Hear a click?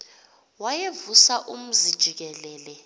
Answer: no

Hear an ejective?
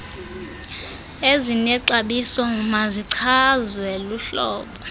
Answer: no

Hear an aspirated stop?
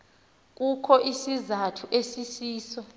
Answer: yes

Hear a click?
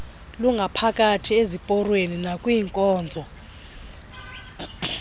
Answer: no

